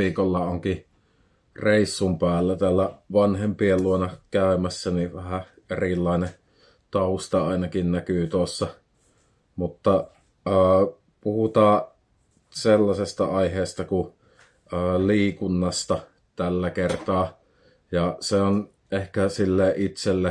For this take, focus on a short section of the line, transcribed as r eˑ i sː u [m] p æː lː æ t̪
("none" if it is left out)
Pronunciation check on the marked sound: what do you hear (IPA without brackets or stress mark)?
m